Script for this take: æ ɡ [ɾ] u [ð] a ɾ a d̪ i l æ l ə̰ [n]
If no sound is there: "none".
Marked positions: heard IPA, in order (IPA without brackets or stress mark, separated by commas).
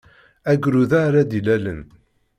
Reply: ɾ, ð, n